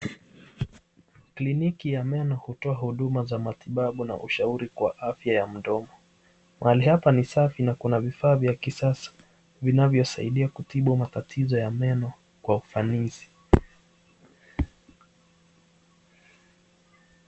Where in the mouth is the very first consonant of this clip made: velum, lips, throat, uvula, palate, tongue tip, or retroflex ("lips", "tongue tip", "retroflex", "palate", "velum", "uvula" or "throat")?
velum